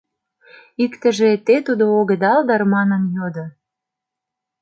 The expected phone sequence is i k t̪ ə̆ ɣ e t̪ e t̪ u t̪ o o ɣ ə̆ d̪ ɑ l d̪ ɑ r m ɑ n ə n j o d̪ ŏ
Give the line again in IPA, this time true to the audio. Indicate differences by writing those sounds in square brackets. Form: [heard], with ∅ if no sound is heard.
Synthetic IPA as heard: i k t̪ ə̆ [ʒ] e t̪ e t̪ u [d̪] o o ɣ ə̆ d̪ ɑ l d̪ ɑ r m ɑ n ə n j o d̪ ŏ